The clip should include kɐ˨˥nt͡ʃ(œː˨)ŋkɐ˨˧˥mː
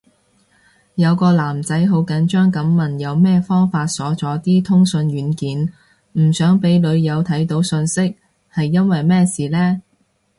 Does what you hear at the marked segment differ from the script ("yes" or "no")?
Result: yes